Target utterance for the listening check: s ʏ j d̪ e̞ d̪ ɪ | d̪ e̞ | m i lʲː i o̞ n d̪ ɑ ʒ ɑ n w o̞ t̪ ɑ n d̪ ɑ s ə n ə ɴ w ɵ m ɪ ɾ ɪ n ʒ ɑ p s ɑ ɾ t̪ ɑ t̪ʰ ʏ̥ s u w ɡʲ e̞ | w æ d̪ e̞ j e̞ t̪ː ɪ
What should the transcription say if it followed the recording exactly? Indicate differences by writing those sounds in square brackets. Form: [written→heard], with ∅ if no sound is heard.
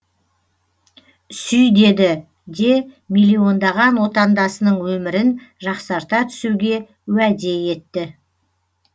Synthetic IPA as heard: s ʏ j d̪ e̞ d̪ ɪ | d̪ e̞ | m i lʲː i o̞ n d̪ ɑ [ʒ→ʁ] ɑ n w o̞ t̪ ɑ n d̪ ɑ s ə n ə ɴ w ɵ m ɪ ɾ ɪ n ʒ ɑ [p→q] s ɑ ɾ t̪ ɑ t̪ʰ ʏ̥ s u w ɡʲ e̞ | w æ d̪ e̞ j e̞ t̪ː ɪ